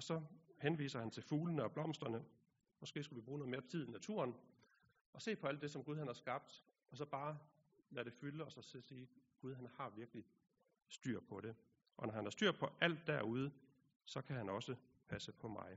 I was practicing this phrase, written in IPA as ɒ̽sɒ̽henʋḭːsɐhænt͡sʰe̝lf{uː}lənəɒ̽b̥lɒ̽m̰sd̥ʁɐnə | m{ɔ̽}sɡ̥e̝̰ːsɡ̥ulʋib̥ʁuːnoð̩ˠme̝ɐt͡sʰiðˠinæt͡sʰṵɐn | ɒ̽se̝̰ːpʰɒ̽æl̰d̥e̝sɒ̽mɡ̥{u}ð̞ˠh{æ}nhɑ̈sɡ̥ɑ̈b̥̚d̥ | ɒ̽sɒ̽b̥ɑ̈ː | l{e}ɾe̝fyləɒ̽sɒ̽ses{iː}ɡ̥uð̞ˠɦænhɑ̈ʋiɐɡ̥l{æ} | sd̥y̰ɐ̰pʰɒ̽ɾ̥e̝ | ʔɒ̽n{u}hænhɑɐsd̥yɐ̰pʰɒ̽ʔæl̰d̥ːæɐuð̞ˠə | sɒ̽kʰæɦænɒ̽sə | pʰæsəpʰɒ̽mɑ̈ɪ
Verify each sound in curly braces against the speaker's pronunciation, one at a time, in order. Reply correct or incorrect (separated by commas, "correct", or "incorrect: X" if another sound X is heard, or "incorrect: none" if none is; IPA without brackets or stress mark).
correct, incorrect: ɒ̽, correct, correct, incorrect: æ, correct, incorrect: i, incorrect: ɒ